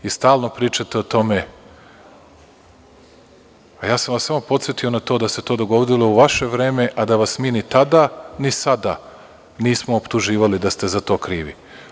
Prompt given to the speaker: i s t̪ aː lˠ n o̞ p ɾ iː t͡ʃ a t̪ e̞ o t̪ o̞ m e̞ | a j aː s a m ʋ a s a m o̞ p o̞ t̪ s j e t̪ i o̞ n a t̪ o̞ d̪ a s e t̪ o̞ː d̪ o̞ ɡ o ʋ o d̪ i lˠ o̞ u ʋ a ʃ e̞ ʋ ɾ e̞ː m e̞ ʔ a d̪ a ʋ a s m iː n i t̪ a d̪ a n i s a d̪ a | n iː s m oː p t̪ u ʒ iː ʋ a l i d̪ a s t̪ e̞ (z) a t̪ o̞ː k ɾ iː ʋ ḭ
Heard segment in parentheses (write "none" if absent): z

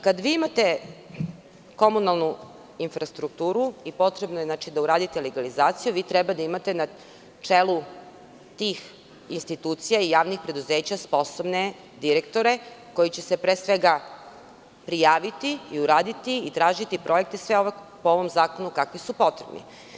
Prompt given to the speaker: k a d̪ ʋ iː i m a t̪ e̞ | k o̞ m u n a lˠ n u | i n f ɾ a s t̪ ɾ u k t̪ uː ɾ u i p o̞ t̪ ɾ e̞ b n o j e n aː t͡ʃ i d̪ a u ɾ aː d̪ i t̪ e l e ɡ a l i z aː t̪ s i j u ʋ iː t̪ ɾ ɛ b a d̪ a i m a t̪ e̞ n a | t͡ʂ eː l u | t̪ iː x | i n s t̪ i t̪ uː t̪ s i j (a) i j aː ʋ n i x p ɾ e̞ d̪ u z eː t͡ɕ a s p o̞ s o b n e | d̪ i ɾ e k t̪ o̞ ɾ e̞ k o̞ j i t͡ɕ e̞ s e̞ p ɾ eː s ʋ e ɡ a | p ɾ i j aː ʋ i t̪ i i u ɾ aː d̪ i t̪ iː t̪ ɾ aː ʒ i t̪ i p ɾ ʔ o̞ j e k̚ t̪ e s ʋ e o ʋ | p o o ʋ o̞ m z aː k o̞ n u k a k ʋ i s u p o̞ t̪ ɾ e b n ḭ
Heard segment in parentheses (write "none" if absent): a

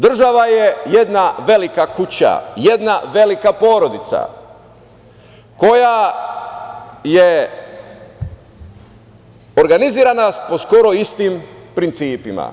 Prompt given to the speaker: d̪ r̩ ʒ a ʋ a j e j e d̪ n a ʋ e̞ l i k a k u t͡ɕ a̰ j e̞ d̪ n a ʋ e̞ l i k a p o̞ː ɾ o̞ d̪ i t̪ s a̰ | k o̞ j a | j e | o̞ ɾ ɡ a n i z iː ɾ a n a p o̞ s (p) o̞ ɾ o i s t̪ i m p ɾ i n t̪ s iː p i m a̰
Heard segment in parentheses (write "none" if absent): k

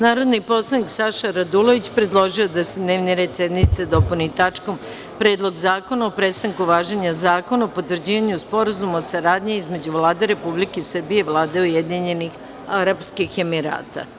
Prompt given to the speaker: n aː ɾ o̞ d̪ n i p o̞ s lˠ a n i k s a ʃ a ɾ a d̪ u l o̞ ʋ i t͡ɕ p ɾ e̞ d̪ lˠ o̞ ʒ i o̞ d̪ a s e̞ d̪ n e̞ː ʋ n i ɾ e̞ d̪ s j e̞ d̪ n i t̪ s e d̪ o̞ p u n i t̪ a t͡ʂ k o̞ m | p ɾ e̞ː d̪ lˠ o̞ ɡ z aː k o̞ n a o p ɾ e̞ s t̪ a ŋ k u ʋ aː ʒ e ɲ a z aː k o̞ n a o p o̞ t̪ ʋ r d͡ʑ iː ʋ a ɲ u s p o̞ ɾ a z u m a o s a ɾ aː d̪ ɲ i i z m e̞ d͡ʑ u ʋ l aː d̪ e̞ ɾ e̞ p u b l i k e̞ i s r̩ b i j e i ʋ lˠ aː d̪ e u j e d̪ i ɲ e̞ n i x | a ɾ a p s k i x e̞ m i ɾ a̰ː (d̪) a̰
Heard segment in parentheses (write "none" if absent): t̪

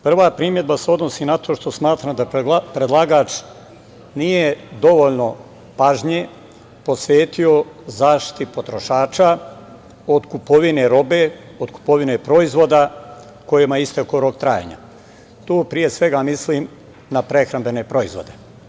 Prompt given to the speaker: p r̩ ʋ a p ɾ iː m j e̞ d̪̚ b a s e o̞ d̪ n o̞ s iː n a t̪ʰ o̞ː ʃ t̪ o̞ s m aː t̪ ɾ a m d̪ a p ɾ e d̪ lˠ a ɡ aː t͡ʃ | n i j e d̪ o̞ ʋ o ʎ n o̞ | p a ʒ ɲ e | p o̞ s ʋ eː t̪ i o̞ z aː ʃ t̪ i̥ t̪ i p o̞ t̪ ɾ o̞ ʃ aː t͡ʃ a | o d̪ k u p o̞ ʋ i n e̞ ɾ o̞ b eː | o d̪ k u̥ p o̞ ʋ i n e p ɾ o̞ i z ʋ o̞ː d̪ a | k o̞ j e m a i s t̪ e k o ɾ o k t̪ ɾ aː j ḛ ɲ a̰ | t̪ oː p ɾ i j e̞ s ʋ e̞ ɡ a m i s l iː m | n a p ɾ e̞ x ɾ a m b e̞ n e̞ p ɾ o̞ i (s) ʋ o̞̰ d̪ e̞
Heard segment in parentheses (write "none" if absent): z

